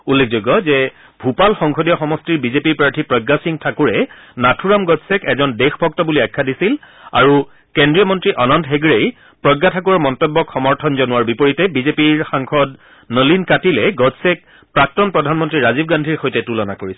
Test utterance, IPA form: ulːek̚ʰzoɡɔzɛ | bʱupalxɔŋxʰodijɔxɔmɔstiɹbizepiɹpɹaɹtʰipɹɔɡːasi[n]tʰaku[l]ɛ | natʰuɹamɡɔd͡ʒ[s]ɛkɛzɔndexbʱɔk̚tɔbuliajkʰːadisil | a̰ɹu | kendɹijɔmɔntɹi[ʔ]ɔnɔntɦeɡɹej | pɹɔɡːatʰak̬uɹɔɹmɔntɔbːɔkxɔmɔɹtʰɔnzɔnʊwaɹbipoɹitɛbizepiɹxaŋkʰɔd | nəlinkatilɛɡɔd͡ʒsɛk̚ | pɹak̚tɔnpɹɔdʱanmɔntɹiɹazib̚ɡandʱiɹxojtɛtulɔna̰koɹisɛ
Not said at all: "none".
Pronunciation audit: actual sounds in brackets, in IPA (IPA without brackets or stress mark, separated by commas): ŋ, ɹ, s, ʔ